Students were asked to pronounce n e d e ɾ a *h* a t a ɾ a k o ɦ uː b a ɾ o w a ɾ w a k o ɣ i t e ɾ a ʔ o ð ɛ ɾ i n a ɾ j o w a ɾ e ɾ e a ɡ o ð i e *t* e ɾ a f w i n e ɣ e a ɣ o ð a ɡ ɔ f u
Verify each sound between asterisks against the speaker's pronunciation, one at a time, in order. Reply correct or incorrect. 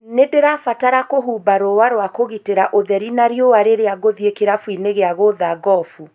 incorrect: f, incorrect: k

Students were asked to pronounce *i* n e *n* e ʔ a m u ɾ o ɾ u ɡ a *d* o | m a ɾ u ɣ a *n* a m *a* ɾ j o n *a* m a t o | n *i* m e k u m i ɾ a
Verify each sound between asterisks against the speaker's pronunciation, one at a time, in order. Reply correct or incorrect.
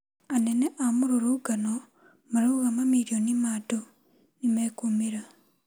incorrect: a, correct, incorrect: n, incorrect: m, incorrect: i, incorrect: i, correct

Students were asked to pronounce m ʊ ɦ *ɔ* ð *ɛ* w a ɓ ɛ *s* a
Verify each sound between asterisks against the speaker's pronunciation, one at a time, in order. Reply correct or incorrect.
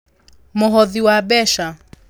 correct, incorrect: i, incorrect: ʃ

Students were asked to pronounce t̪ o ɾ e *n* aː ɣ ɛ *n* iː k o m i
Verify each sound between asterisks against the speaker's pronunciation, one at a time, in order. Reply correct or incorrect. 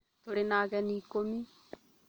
correct, correct

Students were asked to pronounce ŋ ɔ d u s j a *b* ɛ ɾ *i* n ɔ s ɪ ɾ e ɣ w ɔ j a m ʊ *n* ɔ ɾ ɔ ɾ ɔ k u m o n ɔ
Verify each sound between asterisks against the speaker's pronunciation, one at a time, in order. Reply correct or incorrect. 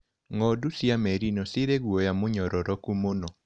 incorrect: m, correct, incorrect: ɲ

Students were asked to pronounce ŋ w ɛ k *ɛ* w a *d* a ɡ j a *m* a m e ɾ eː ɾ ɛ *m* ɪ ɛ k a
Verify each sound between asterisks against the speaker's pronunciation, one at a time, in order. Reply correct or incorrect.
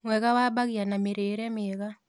incorrect: a, incorrect: b, incorrect: n, correct

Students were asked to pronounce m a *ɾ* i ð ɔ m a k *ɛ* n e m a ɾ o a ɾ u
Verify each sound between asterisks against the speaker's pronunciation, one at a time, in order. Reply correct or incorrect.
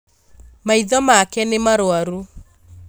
incorrect: none, correct

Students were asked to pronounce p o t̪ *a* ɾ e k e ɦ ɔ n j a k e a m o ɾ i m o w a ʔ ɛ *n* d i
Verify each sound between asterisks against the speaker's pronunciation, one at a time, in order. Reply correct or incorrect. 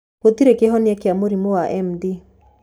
incorrect: i, incorrect: m

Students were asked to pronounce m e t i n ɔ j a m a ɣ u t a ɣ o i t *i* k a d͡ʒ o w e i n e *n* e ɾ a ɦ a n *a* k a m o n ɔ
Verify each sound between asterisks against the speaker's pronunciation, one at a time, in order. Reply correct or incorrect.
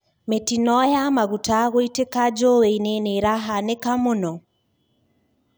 incorrect: e, correct, incorrect: e

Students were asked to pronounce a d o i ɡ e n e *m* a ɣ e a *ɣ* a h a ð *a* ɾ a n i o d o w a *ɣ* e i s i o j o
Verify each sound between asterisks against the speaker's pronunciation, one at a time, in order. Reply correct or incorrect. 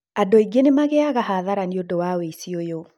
correct, correct, correct, incorrect: w

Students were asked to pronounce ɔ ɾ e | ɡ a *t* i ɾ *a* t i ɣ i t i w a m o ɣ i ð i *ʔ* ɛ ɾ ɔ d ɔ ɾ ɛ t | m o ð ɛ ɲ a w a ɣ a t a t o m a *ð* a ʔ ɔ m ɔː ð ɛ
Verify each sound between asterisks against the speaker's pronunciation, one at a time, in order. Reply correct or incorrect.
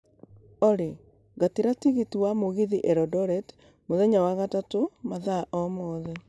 correct, correct, correct, correct

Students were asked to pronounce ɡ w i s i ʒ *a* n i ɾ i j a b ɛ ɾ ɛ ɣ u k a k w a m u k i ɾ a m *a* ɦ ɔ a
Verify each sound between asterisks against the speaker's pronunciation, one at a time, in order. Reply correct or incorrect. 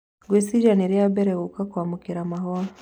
correct, correct

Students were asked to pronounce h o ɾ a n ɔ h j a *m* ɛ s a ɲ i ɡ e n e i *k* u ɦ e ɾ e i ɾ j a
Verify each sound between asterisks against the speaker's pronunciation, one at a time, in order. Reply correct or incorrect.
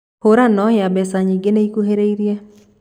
incorrect: b, correct

